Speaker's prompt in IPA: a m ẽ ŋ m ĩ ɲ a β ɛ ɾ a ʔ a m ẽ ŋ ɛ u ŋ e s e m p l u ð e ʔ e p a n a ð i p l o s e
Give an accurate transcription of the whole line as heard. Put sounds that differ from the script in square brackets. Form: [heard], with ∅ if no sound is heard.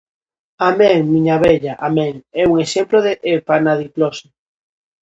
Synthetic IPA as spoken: a m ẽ ŋ m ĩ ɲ a β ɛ [ʎ] a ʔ a m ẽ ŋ ɛ u ŋ e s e m p l [o] ð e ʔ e p a n a ð i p l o s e